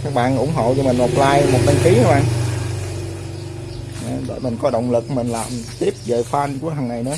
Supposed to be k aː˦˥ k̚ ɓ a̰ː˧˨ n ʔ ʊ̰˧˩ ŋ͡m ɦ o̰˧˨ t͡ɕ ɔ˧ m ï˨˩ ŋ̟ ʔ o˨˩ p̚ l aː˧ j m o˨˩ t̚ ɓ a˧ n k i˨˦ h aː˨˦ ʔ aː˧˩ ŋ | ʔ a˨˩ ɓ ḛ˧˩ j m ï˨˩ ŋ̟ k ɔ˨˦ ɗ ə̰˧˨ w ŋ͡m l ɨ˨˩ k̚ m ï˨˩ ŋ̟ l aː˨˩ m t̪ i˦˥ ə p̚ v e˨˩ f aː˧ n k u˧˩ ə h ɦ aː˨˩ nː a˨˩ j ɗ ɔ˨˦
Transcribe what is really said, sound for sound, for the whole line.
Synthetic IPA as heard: k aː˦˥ k̚ ɓ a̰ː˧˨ n ʔ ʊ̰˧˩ ŋ͡m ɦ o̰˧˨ t͡ɕ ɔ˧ m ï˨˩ ŋ̟ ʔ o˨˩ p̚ l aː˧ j m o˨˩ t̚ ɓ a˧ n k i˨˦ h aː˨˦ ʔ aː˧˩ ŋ | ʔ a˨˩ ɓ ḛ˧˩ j m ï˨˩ ŋ̟ k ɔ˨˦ ɗ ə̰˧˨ w ŋ͡m l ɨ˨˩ k̚ m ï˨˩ ŋ̟ l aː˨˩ m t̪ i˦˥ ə p̚ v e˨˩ f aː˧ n k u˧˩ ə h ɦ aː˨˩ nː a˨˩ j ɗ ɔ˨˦